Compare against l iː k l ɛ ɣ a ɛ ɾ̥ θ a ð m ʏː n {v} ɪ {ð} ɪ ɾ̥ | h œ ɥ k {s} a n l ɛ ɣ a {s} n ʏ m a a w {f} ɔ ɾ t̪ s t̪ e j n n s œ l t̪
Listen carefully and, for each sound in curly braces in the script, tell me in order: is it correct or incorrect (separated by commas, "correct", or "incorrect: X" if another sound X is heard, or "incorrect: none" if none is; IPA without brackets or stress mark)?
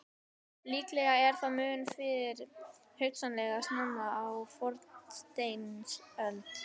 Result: incorrect: f, correct, correct, correct, correct